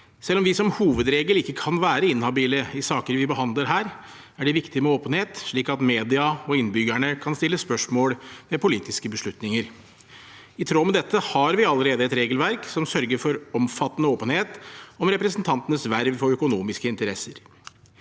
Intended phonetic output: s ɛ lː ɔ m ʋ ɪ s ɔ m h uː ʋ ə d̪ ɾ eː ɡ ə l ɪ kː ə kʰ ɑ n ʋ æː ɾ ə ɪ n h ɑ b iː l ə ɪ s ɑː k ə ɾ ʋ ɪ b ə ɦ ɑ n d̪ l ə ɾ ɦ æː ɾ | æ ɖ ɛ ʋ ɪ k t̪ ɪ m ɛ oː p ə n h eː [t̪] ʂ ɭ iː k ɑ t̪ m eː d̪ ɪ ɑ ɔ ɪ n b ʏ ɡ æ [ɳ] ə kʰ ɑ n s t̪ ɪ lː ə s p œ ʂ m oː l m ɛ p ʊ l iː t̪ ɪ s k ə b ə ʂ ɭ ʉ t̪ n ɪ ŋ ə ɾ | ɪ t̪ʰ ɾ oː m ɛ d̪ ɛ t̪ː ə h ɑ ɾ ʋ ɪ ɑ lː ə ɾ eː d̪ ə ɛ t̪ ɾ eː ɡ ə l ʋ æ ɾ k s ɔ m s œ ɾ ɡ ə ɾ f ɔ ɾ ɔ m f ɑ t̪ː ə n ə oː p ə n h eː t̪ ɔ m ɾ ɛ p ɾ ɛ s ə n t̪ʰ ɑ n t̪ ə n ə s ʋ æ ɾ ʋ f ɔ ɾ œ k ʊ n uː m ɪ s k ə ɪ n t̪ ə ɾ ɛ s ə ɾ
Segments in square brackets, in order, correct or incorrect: correct, correct

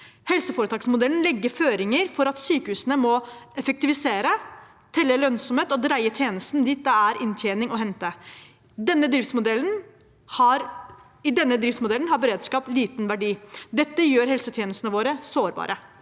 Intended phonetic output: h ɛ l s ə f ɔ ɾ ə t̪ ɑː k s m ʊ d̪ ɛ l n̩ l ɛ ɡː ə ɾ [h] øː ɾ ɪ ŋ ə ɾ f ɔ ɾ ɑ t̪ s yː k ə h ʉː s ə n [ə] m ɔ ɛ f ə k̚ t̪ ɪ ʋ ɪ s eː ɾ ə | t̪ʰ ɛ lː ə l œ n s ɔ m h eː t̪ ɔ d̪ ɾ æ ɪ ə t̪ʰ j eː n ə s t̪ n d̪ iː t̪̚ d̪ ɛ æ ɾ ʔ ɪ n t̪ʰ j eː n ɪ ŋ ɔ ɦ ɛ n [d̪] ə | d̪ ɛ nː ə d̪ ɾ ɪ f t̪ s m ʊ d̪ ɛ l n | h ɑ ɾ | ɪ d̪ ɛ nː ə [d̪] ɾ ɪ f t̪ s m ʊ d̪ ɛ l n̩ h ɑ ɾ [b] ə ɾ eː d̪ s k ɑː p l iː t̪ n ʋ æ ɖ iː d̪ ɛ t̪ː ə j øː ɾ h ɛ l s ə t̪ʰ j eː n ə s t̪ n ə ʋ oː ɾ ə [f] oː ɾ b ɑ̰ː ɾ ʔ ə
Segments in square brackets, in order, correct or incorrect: incorrect: f, correct, incorrect: t̪, correct, correct, incorrect: s

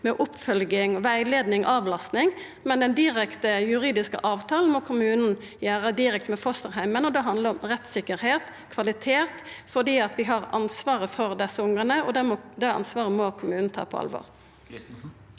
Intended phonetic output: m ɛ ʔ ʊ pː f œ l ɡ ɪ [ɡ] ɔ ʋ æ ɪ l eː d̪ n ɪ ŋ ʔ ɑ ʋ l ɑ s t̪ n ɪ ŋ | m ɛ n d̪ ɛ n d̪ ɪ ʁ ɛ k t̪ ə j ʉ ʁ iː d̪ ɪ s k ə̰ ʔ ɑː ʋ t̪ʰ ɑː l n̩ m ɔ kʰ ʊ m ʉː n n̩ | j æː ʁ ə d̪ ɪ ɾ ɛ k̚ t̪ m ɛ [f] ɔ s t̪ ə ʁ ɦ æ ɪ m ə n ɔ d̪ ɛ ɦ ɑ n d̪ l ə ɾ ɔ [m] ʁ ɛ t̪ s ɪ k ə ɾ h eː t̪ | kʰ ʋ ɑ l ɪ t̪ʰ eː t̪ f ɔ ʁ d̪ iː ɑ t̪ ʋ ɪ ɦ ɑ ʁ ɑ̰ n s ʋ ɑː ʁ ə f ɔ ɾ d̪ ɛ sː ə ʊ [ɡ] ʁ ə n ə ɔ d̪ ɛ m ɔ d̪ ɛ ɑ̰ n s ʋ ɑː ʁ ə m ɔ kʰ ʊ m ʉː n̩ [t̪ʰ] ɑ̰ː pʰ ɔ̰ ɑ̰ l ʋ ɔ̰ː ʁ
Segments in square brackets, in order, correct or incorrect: incorrect: ŋ, correct, correct, incorrect: ŋ, correct

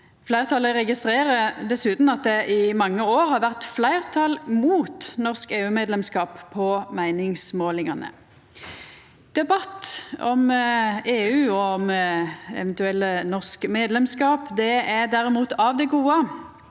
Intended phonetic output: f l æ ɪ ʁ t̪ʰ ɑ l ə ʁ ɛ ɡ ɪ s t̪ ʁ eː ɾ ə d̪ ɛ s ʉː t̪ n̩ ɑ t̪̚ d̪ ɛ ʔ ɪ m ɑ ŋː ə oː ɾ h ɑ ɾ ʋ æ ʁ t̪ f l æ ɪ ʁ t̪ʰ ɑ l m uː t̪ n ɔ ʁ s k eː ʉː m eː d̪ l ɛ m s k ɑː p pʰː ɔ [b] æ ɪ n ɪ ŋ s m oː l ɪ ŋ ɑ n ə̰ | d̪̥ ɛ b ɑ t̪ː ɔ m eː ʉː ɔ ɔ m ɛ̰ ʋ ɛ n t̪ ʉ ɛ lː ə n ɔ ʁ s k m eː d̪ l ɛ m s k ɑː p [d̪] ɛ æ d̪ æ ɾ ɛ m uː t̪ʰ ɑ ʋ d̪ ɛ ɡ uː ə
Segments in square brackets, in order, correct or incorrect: incorrect: m, correct

